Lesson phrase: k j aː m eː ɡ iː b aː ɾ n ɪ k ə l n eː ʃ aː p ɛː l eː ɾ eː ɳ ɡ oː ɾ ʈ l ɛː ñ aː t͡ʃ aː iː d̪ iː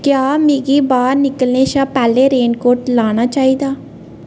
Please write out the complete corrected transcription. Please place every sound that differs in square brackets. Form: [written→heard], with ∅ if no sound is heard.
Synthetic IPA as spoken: k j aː m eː ɡ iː b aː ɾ n ɪ k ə l n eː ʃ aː p ɛː l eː ɾ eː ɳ [ɡ→k] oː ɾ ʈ l [ɛː→aː] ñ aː t͡ʃ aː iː d̪ [iː→aː]